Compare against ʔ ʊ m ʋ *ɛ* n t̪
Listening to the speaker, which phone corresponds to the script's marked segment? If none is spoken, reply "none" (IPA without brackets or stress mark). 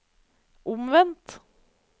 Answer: ɛ